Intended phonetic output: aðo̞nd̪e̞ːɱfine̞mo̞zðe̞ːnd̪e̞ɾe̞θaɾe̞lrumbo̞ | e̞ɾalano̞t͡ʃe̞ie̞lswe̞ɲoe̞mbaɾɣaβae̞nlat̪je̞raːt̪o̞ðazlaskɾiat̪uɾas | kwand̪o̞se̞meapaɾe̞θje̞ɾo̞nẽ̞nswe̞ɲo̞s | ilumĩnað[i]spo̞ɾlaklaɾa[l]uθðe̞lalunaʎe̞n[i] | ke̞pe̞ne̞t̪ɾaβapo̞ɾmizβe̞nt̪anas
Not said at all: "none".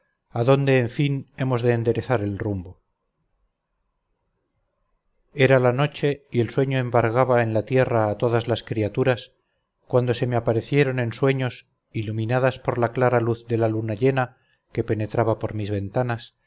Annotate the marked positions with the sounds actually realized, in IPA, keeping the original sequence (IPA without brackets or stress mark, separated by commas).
a, l, a